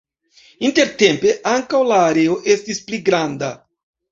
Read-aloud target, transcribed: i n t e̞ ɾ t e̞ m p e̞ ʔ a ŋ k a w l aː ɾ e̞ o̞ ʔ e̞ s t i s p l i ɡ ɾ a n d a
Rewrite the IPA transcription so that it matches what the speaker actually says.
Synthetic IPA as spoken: i n t e̞ ɾ t e̞ m p e̞ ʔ a ŋ k a w l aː ɾ e̞ o̞ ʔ e̞ s t i s p l i ɡ ɾ a n d a